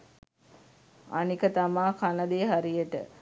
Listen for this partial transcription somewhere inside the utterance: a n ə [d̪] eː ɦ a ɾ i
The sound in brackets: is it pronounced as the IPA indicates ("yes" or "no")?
yes